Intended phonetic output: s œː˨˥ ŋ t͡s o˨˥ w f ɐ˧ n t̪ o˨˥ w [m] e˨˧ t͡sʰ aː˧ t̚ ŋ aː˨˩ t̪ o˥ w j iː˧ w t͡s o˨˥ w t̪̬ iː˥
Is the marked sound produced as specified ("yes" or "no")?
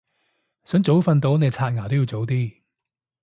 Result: no